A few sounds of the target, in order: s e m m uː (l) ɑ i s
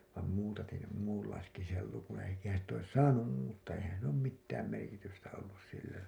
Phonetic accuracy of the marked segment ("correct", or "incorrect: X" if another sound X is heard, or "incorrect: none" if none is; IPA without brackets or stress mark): incorrect: lː